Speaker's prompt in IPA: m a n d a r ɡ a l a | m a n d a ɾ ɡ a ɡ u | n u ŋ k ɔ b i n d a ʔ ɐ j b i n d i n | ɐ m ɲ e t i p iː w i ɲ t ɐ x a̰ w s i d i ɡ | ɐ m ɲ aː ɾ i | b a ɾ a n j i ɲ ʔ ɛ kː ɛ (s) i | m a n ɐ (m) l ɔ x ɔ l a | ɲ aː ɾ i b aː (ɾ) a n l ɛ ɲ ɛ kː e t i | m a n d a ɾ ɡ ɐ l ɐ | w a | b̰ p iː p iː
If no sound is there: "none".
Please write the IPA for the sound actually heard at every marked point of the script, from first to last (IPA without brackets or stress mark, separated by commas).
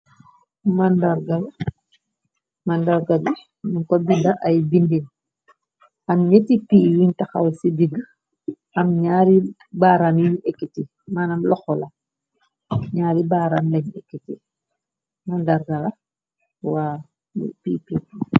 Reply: t, m, ɾ